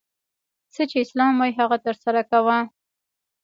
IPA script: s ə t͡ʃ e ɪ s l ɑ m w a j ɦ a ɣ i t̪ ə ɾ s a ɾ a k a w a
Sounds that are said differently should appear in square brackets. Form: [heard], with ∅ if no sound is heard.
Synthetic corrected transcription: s ə t͡ʃ e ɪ s l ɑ m w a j ɦ a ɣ [a] t̪ ə ɾ s a ɾ a k a w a